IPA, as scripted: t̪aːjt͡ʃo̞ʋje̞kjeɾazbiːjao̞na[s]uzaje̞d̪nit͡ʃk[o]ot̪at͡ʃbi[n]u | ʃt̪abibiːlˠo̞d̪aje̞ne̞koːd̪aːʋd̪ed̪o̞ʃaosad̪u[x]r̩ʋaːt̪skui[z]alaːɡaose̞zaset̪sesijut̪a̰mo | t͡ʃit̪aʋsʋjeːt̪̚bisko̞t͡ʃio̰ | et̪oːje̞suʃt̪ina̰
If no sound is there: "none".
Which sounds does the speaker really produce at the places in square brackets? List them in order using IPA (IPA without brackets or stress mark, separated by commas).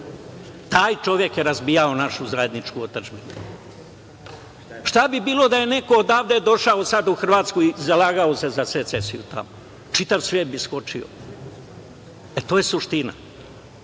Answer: ʃ, u, n, x, z